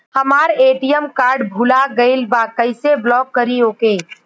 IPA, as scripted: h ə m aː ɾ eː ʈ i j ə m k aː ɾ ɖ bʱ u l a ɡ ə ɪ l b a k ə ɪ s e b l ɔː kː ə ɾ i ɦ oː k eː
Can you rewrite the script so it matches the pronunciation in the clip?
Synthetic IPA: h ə m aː ɾ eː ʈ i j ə m k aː ɾ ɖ bʱ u l a ɡ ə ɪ l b a k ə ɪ s e b l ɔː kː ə ɾ i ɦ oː k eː